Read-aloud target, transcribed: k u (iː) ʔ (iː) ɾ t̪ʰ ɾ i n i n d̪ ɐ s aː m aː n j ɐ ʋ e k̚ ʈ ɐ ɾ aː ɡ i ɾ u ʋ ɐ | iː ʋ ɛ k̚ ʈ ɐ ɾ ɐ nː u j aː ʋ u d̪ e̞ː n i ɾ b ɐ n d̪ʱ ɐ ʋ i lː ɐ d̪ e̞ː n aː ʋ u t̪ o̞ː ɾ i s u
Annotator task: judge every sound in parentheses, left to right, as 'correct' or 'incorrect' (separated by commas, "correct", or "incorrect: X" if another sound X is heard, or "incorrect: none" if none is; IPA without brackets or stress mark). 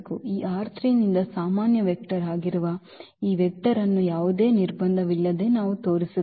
correct, incorrect: aː